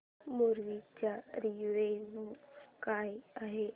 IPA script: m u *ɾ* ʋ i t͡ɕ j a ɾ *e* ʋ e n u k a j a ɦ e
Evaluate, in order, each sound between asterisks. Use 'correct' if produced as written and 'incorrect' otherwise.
correct, incorrect: i

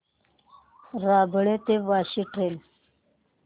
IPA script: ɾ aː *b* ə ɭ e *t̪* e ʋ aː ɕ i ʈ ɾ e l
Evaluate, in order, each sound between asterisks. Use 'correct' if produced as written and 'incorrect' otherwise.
correct, correct

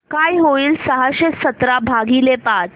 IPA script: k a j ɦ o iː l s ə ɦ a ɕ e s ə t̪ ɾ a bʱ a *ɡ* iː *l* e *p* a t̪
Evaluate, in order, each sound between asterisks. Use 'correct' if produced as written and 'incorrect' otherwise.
correct, correct, correct

